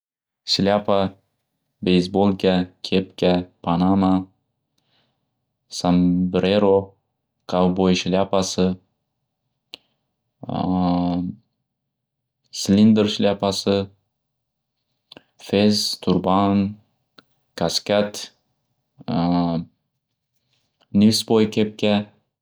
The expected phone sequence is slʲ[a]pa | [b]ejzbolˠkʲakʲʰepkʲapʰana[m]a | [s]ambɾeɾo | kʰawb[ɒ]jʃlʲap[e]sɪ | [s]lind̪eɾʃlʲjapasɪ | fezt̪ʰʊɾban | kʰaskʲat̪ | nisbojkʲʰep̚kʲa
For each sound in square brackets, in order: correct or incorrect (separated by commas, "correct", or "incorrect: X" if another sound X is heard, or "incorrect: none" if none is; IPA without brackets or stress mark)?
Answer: correct, correct, correct, correct, incorrect: o, incorrect: a, correct